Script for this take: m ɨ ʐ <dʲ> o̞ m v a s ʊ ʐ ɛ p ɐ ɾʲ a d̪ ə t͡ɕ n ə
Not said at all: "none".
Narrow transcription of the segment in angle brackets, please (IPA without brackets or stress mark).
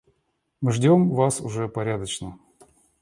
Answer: dʲ